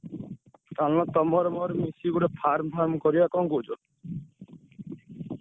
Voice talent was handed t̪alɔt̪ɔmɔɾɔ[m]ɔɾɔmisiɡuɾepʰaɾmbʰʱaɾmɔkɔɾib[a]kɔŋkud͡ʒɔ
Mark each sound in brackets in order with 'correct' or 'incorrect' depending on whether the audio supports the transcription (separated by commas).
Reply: correct, correct